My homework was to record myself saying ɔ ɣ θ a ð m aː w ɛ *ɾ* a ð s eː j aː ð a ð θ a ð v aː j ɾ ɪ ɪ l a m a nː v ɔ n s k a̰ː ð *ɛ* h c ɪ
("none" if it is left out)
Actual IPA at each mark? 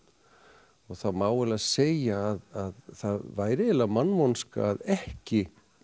l, ɛ

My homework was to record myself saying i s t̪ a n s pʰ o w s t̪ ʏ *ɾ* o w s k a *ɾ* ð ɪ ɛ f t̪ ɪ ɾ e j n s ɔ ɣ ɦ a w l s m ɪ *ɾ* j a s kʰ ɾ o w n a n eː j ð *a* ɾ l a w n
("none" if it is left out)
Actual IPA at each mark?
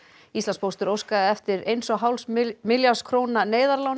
ɾ, none, l, a

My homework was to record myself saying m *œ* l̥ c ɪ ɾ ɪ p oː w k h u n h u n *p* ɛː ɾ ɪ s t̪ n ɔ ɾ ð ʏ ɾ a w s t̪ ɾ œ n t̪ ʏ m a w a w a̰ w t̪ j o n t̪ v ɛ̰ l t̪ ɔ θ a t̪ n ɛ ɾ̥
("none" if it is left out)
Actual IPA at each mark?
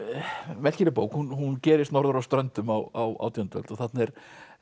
ɛ, c

